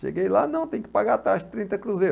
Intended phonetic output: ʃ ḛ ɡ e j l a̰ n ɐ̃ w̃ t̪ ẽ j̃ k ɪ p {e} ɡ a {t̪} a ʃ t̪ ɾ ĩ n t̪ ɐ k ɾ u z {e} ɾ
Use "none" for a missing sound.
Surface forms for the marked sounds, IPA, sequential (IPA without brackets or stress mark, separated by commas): a, t̪, e